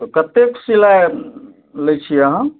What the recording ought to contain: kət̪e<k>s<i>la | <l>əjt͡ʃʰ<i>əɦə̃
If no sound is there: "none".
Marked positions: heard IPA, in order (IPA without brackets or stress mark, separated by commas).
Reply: k, i, l, i